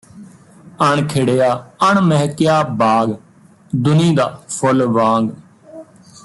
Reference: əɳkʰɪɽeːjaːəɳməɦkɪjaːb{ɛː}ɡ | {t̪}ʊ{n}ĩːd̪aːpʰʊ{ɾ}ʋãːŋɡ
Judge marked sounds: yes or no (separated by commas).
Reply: no, no, yes, no